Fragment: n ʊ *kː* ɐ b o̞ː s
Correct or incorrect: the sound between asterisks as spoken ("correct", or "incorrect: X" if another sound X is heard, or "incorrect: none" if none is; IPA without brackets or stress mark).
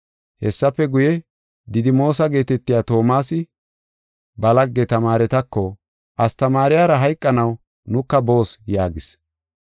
correct